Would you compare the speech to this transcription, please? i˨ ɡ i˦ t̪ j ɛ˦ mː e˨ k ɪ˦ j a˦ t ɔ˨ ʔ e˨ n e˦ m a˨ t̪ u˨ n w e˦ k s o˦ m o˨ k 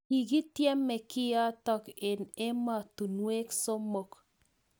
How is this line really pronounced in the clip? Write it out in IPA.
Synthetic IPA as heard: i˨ ɡ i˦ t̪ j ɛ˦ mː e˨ k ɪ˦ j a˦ t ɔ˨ k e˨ n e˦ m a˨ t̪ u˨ n w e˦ k s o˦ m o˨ k